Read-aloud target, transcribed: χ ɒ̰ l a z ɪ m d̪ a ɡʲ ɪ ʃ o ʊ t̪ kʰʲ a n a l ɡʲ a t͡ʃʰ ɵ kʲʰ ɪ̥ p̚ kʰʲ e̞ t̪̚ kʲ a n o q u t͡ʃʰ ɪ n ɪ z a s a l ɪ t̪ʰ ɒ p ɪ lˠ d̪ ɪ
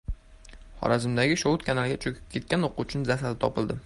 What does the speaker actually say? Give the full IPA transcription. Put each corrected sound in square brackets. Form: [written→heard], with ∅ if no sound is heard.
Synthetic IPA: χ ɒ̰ [l→ɾ] a z ɪ m d̪ a ɡʲ ɪ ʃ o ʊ t̪ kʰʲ a n a l ɡʲ a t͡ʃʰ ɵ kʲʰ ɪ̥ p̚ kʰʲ e̞ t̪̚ kʲ a n o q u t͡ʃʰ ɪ n ɪ z a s a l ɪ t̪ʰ ɒ p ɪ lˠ d̪ ɪ

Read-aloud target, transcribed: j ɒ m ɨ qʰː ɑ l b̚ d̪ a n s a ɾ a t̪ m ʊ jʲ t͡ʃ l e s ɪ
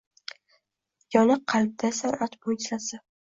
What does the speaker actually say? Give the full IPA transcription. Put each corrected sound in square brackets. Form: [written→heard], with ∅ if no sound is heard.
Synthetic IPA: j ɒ [m→n] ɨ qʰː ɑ l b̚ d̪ a [n→∅] s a ɾ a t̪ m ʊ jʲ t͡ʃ l [e→a] s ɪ

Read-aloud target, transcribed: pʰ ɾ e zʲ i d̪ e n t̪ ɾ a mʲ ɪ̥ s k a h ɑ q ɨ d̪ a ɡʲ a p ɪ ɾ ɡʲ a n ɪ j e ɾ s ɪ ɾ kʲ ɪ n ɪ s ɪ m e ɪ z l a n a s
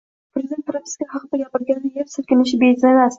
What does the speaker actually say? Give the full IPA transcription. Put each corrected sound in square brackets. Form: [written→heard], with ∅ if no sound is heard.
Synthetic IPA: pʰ ɾ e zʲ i d̪ e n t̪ ɾ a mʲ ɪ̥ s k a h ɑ q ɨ d̪ a ɡʲ a p ɪ ɾ ɡʲ a n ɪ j e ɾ s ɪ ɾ kʲ ɪ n ɪ [s→ʃ] ɪ [m→b] e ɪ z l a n a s

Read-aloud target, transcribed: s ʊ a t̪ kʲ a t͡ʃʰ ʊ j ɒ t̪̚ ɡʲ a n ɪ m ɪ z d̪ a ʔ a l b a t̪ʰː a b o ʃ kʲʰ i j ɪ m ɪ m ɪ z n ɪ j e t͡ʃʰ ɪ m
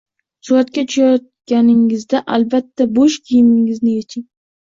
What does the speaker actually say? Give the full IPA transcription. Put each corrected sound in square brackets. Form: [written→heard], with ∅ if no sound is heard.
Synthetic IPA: s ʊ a t̪ kʲ a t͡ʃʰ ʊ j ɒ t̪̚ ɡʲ a n ɪ [m→ŋ] ɪ z d̪ a ʔ a l b a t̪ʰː a b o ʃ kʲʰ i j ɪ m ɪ [m→ŋ] ɪ z n ɪ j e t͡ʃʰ ɪ [m→ŋ]

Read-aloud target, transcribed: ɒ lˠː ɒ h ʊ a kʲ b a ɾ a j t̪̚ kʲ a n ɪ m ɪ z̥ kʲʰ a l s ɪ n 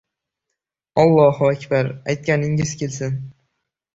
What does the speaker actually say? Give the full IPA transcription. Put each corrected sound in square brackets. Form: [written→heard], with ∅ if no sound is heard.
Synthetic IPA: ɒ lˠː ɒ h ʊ a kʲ b a ɾ a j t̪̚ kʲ a n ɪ [m→ŋ] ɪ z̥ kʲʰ [a→e] l s ɪ n

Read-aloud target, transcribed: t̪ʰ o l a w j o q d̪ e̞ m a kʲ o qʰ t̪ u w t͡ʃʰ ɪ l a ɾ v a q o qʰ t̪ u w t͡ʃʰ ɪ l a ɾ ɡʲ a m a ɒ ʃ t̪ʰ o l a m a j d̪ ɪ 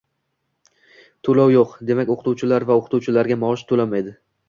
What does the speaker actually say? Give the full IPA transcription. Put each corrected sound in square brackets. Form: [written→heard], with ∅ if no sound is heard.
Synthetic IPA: t̪ʰ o l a w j o q d̪ e̞ m a kʲ o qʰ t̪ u w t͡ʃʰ ɪ l a ɾ v a [q→∅] o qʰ t̪ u w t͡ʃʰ ɪ l a ɾ ɡʲ a m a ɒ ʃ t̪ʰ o l a m a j d̪ ɪ

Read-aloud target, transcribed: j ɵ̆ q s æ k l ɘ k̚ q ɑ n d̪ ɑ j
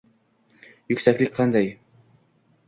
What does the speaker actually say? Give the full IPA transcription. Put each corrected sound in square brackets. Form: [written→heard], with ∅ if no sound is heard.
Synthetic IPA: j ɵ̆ [q→k] s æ k l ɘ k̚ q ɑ n d̪ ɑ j

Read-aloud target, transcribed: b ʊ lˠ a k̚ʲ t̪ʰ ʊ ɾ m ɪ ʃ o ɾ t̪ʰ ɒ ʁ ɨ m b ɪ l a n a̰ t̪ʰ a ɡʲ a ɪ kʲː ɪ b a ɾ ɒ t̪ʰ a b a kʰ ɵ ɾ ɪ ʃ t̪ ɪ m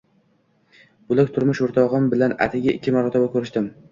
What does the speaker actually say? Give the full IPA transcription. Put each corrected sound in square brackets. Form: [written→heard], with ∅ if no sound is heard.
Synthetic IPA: b ʊ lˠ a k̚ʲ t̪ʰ ʊ ɾ m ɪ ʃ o ɾ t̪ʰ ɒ ʁ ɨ m b ɪ l a n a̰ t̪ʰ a ɡʲ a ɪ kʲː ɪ [b→m] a ɾ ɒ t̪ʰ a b a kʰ ɵ ɾ ɪ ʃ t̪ ɪ m

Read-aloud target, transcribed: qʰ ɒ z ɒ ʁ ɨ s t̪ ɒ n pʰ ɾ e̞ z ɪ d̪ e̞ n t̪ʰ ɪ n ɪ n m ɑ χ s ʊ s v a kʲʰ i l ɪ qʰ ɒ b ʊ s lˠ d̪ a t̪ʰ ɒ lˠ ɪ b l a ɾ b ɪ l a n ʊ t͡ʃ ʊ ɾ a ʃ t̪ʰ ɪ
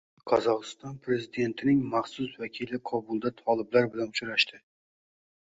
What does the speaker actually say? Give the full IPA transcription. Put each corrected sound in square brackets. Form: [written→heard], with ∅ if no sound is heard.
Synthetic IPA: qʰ ɒ z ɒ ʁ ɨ s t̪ ɒ n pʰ ɾ e̞ z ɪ d̪ e̞ n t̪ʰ ɪ n ɪ [n→ŋ] m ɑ χ s ʊ s v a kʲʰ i l ɪ qʰ ɒ b ʊ [s→∅] lˠ d̪ a t̪ʰ ɒ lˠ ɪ b l a ɾ b ɪ l a n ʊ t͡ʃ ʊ ɾ a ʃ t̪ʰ ɪ

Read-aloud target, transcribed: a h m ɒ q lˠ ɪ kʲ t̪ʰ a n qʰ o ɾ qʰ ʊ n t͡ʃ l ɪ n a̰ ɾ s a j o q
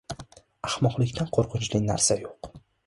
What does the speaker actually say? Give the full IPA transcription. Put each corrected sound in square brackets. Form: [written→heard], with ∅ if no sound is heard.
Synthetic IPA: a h m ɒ q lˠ ɪ kʲ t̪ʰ a n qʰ o ɾ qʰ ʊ n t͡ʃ l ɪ n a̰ ɾ s a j o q

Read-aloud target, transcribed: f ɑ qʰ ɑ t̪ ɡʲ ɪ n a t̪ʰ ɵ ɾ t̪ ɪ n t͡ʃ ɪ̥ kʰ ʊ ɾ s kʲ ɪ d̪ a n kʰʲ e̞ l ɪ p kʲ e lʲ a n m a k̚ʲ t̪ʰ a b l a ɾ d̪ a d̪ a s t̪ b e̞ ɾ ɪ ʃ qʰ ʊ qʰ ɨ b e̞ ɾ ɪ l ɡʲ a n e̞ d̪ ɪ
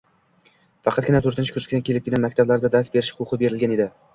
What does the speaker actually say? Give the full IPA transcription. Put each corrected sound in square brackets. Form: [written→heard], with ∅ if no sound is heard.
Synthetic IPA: f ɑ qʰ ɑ t̪ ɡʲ ɪ n a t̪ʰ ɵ ɾ t̪ ɪ n t͡ʃ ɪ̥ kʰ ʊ ɾ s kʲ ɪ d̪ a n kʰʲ e̞ l ɪ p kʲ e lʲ a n m a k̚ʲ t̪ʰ a b l a ɾ d̪ a d̪ a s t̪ b e̞ ɾ ɪ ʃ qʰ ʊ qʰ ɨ b e̞ ɾ ɪ l ɡʲ a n e̞ d̪ ɪ

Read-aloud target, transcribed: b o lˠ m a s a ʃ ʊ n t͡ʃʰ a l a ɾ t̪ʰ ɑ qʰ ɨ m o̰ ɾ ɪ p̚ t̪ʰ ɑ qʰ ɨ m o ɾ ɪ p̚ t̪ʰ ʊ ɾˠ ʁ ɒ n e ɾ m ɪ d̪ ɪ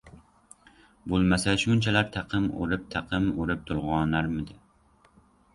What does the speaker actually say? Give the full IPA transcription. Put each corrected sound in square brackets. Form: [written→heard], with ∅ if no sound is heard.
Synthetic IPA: b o lˠ m a s a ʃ ʊ n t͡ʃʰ a l a ɾ t̪ʰ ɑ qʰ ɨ m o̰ ɾ ɪ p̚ t̪ʰ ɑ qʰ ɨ m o ɾ ɪ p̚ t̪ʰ ʊ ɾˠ ʁ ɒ n [e→a] ɾ m ɪ d̪ ɪ

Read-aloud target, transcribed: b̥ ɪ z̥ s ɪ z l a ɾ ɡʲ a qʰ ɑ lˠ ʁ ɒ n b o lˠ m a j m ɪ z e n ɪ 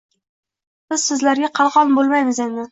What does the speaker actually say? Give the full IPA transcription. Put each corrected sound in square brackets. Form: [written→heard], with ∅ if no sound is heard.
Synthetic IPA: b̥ ɪ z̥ s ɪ z l a ɾ ɡʲ a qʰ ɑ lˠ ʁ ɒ n b o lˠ m a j m ɪ z e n ɪ

